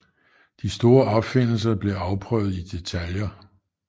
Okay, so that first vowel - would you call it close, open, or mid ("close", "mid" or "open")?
close